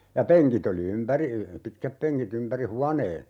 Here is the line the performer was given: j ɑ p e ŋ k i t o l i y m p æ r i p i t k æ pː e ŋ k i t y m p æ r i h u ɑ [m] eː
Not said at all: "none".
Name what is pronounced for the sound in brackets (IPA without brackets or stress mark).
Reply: n